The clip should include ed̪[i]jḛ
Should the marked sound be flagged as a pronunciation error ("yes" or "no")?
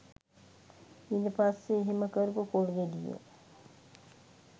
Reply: no